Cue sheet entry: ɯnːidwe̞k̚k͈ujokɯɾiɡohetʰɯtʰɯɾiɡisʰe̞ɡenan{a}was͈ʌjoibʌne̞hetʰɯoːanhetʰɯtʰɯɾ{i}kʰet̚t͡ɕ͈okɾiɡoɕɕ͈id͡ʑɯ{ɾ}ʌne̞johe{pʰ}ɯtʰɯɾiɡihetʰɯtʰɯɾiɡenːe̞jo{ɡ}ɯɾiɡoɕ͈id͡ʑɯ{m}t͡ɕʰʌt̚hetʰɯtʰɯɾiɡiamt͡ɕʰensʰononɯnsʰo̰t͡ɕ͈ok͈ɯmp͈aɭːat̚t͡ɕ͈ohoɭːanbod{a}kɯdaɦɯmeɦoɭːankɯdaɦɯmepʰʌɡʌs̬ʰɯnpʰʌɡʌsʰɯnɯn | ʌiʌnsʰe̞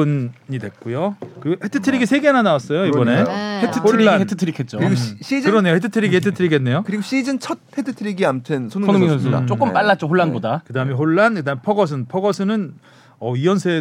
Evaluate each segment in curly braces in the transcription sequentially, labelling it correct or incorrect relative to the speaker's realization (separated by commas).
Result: correct, correct, correct, incorrect, incorrect, incorrect, correct